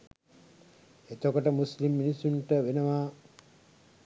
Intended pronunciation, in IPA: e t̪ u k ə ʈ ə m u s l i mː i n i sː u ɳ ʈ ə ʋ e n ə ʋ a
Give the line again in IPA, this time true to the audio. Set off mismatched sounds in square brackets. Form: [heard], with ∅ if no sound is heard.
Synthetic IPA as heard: e t̪ [o] k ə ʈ ə m u s l i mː i n i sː u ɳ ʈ ə ʋ e n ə ʋ a